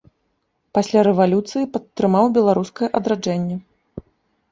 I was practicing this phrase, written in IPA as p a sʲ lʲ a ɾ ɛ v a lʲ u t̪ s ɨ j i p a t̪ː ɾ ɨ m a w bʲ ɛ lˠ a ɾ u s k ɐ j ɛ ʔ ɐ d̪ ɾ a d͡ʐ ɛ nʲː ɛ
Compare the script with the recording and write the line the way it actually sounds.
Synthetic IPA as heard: p a sʲ lʲ a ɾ ɛ v a lʲ u t̪ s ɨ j i p ɐ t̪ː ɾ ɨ m a w bʲ ɛ lˠ a ɾ u s k ɐ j ɛ ʔ ɐ d̪ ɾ a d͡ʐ ɛ nʲː ɛ